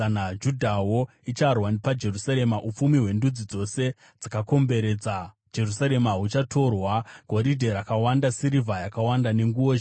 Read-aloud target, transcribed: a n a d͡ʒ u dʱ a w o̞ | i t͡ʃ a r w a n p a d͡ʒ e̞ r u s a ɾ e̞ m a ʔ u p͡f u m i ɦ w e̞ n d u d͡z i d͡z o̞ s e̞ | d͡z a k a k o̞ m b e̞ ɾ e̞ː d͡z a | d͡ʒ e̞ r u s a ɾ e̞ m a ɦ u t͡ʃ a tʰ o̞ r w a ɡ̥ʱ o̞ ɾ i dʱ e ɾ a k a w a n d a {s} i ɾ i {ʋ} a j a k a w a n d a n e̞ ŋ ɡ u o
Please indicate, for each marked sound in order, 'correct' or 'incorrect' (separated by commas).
correct, incorrect